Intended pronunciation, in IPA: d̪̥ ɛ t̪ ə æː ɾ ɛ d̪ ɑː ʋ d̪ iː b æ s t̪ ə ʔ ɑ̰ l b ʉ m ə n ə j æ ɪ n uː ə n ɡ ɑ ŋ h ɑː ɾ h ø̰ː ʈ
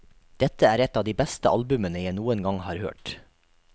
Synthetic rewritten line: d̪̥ ɛ t̪ ə æː ɾ ɛ t̪ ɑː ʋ d̪ iː b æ s t̪ ə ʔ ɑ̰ l b ʉ m ə n ə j æ ɪ n uː ə n ɡ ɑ ŋ h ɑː ɾ h ø̰ː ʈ